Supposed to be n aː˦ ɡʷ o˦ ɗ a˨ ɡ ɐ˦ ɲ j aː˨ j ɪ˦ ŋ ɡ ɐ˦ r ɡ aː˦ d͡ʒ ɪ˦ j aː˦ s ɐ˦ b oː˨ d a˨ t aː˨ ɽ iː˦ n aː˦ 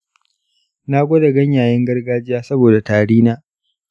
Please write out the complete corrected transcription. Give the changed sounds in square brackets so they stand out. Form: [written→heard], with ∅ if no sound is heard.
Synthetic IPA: n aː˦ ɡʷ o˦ [ɗ→d] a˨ ɡ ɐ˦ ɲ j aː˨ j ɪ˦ ŋ ɡ ɐ˦ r ɡ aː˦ d͡ʒ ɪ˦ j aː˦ s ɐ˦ b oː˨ d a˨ t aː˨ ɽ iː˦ n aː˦

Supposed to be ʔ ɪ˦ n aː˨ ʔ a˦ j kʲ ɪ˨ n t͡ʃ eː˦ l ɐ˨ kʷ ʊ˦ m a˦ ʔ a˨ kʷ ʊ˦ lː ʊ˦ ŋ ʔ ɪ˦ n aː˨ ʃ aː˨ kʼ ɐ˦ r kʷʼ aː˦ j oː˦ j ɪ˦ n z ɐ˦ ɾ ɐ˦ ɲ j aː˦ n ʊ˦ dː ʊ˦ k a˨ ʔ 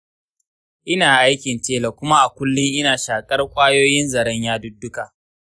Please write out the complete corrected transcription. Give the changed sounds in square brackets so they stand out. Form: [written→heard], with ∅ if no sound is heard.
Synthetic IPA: ʔ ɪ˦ n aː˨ ʔ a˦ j kʲ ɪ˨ n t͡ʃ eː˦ l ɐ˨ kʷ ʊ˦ m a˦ ʔ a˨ kʷ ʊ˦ lː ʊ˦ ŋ ʔ ɪ˦ n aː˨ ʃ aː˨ kʼ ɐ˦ r kʷʼ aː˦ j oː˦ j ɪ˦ n z [ɐ˦→ɐ˨] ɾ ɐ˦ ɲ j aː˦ [n→d] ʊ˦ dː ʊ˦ k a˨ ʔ

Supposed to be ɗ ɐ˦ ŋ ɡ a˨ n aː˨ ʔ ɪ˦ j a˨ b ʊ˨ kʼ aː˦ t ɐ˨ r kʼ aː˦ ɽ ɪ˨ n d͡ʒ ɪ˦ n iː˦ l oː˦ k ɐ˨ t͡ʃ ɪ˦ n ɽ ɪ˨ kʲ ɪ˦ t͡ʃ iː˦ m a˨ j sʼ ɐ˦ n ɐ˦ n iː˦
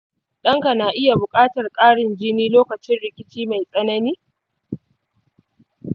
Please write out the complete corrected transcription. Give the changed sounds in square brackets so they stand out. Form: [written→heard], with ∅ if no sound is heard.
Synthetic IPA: ɗ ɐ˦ ŋ [ɡ→k] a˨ n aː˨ ʔ ɪ˦ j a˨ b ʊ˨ kʼ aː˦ t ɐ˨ r kʼ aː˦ ɽ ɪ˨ n d͡ʒ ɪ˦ n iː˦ l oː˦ k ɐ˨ t͡ʃ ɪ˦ n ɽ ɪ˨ kʲ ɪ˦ t͡ʃ iː˦ m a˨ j sʼ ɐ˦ n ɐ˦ n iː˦

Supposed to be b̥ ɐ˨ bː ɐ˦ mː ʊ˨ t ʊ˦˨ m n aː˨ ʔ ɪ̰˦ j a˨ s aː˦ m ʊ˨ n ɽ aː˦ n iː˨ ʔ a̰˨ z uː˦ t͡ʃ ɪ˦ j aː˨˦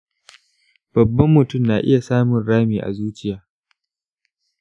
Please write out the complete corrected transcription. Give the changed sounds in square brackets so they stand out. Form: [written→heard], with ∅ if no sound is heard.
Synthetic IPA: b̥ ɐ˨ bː ɐ˦ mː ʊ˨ t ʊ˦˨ m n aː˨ ʔ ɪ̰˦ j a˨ s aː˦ m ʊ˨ n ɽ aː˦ [n→m] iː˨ ʔ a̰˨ z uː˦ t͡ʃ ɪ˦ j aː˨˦

